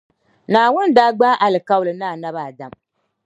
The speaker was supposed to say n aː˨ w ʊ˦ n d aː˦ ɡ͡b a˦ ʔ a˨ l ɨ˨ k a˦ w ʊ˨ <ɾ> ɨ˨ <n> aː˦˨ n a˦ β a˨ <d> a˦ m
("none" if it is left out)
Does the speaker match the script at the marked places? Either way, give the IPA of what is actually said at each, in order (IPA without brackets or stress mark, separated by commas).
l, n, d